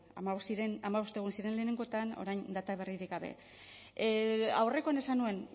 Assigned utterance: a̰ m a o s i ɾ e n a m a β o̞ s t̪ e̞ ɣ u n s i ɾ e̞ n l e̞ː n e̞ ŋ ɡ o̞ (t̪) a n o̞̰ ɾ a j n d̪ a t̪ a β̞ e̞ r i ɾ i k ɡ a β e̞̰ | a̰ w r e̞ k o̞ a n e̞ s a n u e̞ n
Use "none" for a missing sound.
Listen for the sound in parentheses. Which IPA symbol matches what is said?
t̪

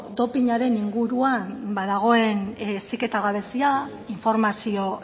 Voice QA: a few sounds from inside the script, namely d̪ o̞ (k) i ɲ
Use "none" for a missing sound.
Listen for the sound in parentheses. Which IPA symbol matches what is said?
p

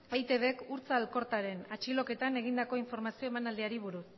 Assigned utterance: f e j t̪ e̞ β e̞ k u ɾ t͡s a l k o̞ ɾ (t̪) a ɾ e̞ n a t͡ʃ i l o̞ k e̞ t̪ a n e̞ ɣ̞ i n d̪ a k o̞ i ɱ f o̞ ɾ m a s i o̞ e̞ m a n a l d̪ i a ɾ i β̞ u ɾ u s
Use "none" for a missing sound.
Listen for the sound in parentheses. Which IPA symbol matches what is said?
t̪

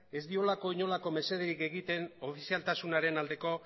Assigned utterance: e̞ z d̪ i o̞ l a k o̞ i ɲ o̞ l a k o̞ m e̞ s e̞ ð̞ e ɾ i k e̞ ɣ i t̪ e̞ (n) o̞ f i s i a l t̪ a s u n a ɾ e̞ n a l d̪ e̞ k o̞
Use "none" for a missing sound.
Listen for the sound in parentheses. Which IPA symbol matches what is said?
n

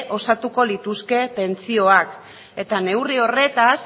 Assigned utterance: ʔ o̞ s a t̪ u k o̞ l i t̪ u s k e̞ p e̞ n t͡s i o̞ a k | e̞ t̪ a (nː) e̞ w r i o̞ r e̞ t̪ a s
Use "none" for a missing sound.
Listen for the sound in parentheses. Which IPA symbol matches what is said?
n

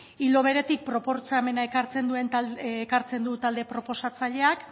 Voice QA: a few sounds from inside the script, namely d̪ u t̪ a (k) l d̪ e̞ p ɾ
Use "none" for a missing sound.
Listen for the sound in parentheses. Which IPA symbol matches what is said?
none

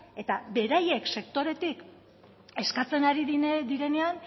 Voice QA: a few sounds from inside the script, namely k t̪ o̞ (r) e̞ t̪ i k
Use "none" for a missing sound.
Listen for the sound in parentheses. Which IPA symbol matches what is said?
ɾ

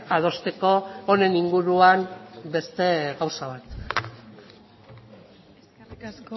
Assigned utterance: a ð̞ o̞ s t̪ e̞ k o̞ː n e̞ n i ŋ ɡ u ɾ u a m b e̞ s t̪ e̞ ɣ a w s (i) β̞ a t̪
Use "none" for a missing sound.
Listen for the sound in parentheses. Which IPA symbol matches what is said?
a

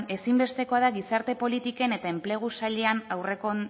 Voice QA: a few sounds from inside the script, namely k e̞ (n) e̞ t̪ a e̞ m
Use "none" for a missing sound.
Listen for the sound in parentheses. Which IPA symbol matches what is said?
n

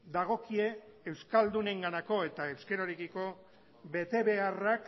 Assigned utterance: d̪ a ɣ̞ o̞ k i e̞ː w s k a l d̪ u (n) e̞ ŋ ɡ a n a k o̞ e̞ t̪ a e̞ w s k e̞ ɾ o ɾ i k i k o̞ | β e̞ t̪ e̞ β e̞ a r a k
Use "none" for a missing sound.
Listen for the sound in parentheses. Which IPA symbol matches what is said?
n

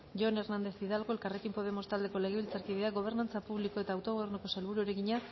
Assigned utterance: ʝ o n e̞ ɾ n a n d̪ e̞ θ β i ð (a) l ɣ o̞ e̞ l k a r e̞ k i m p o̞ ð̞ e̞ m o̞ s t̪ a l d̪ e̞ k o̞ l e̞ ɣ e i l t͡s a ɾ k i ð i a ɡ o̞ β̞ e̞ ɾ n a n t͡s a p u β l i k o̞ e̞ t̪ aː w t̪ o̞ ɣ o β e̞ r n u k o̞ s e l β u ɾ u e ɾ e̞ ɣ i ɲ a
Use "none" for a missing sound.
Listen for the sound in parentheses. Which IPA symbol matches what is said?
a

